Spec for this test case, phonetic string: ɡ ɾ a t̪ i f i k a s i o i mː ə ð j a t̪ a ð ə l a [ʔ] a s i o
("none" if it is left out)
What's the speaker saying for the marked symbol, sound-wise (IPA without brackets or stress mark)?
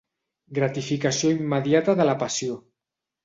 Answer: p